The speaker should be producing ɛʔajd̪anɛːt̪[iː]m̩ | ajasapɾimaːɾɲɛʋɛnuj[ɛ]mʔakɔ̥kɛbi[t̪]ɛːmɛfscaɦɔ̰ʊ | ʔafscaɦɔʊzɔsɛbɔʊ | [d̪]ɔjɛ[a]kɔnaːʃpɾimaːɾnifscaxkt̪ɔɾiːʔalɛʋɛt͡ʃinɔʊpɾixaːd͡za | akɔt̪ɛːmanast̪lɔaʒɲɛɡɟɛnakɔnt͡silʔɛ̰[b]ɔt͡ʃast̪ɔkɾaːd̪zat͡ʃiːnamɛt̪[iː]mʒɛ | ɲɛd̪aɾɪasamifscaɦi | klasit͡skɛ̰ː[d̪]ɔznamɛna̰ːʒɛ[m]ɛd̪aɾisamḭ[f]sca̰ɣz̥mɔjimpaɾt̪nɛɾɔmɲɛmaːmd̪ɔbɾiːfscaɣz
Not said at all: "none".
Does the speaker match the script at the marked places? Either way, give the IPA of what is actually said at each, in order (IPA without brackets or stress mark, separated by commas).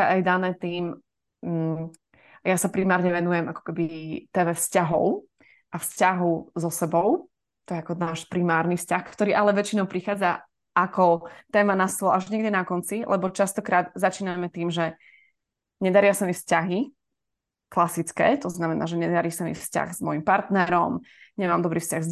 iː, ɛ, t̪, t̪, a, b, iː, t̪, ɲ, f